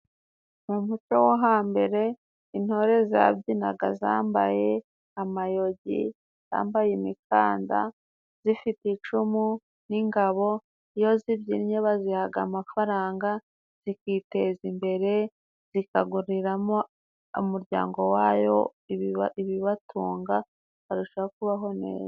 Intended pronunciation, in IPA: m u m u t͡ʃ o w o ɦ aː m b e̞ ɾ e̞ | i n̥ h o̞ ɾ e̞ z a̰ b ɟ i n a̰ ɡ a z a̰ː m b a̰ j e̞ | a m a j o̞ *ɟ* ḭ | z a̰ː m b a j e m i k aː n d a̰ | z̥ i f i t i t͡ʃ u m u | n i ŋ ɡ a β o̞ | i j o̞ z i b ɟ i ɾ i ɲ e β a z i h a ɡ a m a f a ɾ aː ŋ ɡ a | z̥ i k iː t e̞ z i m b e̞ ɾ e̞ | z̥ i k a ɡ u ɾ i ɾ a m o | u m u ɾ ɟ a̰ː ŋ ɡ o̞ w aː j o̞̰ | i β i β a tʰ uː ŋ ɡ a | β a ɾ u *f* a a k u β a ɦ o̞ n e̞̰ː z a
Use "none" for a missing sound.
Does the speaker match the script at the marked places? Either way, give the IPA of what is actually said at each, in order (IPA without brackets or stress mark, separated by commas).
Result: ɟ, ʃ